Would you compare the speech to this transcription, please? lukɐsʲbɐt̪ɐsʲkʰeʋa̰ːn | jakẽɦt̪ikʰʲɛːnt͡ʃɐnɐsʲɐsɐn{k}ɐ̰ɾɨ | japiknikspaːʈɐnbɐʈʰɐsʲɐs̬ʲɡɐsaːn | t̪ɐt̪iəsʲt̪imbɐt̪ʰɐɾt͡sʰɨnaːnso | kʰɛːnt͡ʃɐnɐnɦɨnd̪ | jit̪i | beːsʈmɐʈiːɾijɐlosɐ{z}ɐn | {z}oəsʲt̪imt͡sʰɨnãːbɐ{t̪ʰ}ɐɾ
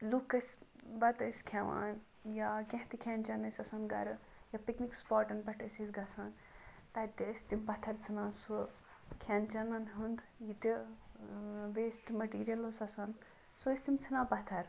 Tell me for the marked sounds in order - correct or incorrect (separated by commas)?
incorrect, incorrect, incorrect, correct